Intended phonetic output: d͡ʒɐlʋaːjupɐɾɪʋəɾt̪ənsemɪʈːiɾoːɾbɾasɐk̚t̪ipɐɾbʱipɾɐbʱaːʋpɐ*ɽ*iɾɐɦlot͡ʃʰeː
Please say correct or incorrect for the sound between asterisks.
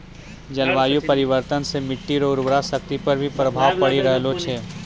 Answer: correct